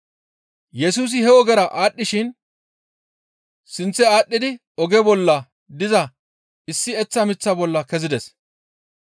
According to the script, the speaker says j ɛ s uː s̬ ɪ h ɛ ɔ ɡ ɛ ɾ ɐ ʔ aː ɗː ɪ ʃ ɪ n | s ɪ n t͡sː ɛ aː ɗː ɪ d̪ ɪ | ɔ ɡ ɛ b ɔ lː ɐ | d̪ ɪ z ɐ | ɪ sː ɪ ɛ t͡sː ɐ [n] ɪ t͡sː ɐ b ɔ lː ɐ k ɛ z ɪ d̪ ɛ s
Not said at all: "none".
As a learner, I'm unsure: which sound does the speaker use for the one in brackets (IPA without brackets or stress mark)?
m